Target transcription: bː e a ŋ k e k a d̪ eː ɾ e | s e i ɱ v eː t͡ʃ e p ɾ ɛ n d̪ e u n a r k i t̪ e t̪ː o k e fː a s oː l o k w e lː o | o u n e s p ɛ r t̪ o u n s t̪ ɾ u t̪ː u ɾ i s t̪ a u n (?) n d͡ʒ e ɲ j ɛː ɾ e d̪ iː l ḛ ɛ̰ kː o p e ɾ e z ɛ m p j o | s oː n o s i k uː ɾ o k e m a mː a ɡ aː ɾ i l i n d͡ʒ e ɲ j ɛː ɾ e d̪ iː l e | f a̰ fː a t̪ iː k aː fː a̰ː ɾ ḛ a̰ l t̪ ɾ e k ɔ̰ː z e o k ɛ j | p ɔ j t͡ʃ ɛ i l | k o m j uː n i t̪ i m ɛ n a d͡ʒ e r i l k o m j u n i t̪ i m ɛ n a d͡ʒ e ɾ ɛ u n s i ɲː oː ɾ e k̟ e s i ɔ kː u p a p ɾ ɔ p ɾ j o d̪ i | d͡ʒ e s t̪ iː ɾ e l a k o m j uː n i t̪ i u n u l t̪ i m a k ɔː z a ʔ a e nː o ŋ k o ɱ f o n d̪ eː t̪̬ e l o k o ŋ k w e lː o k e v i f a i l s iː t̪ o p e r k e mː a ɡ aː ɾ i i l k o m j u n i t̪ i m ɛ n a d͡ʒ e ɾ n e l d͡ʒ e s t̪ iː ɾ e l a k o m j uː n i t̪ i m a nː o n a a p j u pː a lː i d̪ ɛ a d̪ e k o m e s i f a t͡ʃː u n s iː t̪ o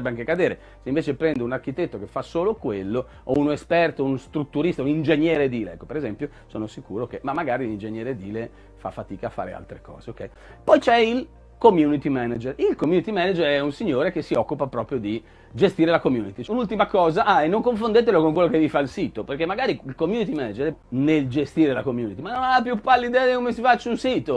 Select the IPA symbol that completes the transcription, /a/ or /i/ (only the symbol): i